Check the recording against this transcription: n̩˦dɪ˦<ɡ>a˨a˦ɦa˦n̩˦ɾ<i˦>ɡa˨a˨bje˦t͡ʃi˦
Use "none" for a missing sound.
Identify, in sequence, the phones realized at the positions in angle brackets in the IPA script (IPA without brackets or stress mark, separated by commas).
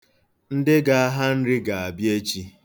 ɡ, ɪ˦